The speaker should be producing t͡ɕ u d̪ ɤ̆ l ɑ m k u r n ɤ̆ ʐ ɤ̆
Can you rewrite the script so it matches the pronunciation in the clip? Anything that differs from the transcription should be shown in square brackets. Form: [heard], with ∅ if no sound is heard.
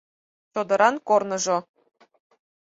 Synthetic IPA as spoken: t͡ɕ [o] d̪ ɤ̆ [ɾ] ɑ [n] k [o] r n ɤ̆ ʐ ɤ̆

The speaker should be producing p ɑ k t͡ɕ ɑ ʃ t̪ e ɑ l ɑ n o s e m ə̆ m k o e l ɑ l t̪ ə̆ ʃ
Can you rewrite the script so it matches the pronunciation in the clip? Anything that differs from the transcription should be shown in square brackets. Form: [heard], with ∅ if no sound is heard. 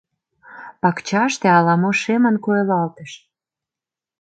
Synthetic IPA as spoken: p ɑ k t͡ɕ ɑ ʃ t̪ e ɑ l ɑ [m] o [ʃ] e m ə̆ [n] k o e l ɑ l t̪ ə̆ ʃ

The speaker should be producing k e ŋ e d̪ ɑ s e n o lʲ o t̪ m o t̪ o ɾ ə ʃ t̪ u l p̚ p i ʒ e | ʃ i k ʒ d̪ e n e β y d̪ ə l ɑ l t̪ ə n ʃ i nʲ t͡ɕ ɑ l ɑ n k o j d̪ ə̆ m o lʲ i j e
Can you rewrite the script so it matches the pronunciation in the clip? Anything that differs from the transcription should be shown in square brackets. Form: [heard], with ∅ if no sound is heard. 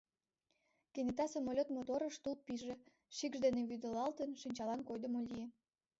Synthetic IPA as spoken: k e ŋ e [t̪] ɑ s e [m] o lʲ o t̪ m o t̪ o ɾ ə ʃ t̪ u l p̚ p i ʒ e | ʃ i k ʒ d̪ e n e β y d̪ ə l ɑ l t̪ ə n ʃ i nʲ t͡ɕ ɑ l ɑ n k o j d̪ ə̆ m o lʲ i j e

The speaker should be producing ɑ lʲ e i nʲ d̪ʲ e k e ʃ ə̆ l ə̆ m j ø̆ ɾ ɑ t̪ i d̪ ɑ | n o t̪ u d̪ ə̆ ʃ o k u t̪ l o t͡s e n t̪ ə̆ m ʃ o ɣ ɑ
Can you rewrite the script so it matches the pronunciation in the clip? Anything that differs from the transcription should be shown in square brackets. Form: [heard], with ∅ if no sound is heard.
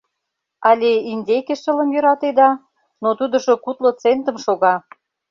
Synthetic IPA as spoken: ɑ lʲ e i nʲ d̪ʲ e k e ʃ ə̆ l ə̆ m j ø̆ ɾ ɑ t̪ [e] d̪ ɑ | n o t̪ u d̪ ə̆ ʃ o k u t̪ l o t͡s e n t̪ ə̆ m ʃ o ɣ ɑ

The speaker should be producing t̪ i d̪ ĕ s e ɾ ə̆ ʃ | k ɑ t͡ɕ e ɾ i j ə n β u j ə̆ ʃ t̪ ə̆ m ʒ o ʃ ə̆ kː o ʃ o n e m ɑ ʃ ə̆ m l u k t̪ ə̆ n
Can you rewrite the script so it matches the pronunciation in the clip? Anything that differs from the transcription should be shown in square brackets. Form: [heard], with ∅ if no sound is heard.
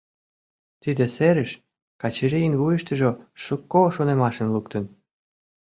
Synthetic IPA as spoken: t̪ i d̪ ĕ s e ɾ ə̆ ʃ | k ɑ t͡ɕ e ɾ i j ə n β u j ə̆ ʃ t̪ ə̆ [∅] ʒ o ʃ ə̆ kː o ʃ o n e m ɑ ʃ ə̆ [n] l u k t̪ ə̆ n

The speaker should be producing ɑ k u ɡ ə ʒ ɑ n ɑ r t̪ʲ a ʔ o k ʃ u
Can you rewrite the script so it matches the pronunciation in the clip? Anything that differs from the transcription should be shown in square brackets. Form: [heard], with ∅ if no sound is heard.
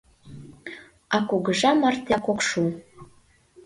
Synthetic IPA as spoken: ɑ k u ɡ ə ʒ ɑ [m] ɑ r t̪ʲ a [k] o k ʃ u

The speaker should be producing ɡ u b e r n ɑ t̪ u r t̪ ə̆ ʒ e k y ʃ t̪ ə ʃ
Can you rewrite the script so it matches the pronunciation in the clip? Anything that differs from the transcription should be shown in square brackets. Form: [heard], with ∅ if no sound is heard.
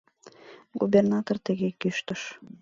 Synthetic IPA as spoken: ɡ u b e r n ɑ t̪ [o] r t̪ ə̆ [ɣ] e k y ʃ t̪ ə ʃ

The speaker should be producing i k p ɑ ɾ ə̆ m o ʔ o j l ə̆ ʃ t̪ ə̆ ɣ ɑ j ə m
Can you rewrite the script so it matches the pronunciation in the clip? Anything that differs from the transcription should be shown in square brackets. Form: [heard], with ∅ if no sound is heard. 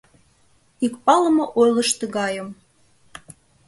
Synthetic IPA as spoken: i k p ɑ [l] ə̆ m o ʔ o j l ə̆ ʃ t̪ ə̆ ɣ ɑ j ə m

